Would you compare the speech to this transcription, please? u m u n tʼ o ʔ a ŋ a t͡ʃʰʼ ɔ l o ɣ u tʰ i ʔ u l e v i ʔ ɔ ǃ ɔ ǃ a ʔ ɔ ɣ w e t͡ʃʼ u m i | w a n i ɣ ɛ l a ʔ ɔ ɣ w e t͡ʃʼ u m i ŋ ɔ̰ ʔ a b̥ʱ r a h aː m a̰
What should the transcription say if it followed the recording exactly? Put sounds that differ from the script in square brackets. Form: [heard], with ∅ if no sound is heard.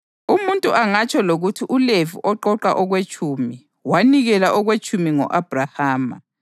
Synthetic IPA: u m u n tʼ [u] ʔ a ŋ a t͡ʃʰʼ ɔ l o ɣ u tʰ i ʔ u l e v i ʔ ɔ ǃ ɔ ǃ a ʔ ɔ ɣ w e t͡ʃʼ u m i | w a n i ɣ ɛ l a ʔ ɔ ɣ w e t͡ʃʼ u m i ŋ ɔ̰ ʔ a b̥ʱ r a h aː m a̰